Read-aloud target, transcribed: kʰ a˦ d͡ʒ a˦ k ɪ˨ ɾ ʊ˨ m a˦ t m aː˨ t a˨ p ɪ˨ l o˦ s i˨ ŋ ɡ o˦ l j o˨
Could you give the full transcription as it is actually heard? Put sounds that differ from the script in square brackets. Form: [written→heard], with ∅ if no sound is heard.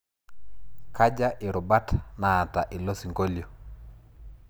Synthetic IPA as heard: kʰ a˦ d͡ʒ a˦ [k→ʔ] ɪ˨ ɾ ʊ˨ [m→b] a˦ t [m→n] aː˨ t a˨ [p→ʔ] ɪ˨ l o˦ s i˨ ŋ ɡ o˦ l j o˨

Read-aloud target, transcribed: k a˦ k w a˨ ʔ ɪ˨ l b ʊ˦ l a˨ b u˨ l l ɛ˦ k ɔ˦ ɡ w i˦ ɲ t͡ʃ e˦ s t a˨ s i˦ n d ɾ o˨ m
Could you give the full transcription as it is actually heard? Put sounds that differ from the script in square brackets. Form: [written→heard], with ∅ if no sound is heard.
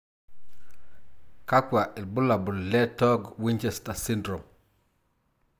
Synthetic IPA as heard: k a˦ k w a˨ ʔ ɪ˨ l b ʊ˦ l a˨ b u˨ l l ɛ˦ [k→t] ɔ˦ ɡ w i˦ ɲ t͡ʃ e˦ s t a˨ s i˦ n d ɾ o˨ m

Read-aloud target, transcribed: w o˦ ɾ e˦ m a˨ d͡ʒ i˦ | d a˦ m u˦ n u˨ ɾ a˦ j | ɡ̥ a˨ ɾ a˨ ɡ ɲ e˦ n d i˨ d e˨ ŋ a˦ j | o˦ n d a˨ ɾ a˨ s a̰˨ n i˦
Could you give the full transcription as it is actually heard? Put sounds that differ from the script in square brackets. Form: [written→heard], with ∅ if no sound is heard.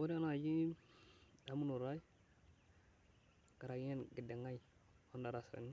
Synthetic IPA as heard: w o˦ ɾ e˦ [m→n] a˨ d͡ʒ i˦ | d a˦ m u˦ n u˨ ɾ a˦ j | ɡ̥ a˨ ɾ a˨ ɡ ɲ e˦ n [d→ɡ] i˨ d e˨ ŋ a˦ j | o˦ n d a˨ ɾ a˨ s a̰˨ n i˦

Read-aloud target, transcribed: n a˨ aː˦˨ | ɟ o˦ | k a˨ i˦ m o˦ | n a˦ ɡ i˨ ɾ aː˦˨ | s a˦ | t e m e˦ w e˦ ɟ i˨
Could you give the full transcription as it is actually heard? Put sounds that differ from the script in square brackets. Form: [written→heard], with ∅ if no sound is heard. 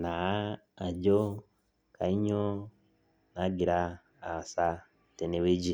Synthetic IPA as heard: n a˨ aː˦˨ | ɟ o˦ | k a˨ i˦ [m→ɲ] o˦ | n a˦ ɡ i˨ ɾ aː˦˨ | s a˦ | t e [m→n] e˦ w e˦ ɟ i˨

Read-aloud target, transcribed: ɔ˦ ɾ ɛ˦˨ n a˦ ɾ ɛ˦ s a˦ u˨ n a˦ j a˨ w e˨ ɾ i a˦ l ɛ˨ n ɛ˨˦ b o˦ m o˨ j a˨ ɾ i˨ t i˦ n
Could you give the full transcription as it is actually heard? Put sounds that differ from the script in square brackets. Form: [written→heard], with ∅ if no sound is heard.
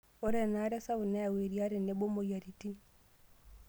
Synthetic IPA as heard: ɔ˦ ɾ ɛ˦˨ n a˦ ɾ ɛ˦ s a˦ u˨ n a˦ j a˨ w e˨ ɾ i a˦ [l→ɾ] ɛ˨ n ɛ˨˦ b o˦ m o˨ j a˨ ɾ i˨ t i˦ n

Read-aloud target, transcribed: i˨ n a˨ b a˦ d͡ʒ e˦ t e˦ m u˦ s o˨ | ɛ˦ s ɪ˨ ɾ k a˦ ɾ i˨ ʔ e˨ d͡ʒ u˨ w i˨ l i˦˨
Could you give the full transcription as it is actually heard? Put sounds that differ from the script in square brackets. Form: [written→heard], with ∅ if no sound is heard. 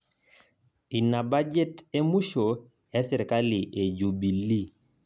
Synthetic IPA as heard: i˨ n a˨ b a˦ d͡ʒ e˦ t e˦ m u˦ [s→ʃ] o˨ | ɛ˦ s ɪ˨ ɾ k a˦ [ɾ→l] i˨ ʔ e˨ d͡ʒ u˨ [w→b] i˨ l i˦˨

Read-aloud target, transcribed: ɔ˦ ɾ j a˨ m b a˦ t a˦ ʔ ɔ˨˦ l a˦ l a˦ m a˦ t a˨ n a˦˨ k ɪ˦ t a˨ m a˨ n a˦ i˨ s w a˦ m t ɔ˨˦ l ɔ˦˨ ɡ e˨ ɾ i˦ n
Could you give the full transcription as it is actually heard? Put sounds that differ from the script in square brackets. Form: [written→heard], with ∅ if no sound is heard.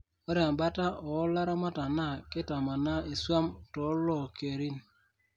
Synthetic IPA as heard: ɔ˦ ɾ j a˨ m b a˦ t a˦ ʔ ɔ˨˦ l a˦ [l→ɾ] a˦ m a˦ t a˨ n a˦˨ k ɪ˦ t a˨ m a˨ n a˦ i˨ s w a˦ m t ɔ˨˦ l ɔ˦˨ [ɡ→k] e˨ ɾ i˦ n

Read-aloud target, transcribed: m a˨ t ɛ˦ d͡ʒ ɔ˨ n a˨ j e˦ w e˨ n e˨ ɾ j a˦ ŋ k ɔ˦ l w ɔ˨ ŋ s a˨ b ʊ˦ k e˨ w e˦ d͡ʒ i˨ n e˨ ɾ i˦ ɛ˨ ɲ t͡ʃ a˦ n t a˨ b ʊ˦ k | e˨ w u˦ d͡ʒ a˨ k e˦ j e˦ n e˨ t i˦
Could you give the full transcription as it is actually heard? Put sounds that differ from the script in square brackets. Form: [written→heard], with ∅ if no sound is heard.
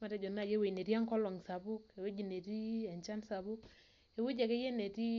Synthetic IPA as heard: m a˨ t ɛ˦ d͡ʒ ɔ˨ n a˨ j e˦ w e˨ n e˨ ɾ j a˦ ŋ k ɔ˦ l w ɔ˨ ŋ s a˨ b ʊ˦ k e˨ w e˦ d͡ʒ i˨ n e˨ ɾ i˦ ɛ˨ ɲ t͡ʃ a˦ n [t→s] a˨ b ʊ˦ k | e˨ w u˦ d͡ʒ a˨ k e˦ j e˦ n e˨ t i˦

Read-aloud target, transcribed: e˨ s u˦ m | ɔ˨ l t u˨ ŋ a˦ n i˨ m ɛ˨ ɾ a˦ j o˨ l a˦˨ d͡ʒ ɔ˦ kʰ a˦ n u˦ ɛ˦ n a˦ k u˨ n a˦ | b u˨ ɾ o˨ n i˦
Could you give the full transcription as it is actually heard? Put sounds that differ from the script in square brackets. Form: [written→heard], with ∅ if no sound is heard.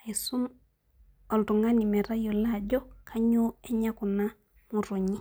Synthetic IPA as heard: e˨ s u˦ m | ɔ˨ l t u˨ ŋ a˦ n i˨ m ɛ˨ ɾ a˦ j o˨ l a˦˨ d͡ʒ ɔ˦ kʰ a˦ [n→ɲ] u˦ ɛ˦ [n→ɲ] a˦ k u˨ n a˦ | [b→m] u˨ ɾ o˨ [n→ɲ] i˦

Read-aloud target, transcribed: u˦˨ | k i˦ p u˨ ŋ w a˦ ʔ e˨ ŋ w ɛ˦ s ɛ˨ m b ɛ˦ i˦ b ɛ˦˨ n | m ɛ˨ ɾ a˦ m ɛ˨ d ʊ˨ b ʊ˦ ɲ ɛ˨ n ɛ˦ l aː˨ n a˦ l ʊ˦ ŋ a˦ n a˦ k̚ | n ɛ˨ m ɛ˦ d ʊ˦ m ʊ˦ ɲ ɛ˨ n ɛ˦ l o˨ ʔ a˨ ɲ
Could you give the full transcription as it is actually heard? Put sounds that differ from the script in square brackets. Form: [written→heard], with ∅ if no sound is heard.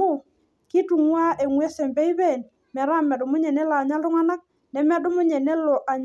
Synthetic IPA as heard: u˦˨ | k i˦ [p→t] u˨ ŋ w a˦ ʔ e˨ ŋ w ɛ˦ s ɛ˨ m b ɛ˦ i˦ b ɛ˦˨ n | m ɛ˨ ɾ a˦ m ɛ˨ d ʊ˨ [b→m] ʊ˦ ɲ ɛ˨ n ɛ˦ l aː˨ [n→ɲ] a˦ l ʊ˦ ŋ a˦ n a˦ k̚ | n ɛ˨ m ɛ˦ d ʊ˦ m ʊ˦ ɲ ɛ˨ n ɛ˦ l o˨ ʔ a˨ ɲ

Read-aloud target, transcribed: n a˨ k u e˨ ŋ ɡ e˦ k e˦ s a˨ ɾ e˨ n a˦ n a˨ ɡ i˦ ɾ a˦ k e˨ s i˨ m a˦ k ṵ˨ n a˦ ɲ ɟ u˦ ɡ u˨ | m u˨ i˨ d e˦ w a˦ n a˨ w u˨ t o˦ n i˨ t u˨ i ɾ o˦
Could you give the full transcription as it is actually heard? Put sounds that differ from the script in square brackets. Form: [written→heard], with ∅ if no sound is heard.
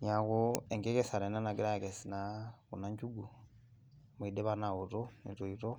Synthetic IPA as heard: [n→ɲ] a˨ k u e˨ ŋ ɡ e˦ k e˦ s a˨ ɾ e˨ n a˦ n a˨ ɡ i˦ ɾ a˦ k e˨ s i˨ [m→n] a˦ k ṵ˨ n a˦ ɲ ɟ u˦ ɡ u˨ | m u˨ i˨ d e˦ [w→β] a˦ n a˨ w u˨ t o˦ n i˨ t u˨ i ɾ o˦

